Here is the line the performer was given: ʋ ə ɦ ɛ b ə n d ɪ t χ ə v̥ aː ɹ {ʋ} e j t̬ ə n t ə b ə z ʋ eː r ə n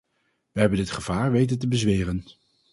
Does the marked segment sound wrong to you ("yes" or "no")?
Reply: no